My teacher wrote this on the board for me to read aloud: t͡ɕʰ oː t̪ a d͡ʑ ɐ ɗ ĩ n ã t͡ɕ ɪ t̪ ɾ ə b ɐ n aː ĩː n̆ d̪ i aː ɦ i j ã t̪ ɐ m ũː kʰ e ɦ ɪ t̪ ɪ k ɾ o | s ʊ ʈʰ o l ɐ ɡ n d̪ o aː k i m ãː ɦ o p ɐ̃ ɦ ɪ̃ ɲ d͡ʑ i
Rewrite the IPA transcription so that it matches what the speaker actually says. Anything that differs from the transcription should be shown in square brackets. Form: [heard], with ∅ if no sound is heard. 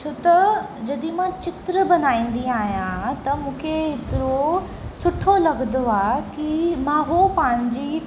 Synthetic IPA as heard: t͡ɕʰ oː t̪ [ɐ] d͡ʑ ɐ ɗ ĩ [m] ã t͡ɕ ɪ t̪ ɾ ə b ɐ n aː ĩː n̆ d̪ i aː ɦ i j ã t̪ ɐ m ũː kʰ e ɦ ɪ t̪ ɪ [∅] ɾ o | s ʊ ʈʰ o l ɐ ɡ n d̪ o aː k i m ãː ɦ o p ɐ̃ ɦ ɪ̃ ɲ d͡ʑ i